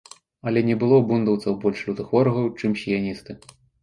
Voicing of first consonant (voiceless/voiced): voiced